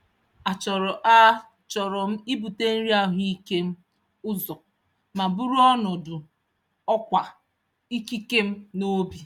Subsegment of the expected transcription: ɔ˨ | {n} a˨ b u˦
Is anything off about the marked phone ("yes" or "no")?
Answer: yes